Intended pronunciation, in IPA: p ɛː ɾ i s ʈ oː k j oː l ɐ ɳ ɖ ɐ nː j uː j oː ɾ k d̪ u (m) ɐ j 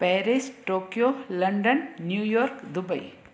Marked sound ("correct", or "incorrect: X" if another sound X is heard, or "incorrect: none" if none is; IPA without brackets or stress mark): incorrect: b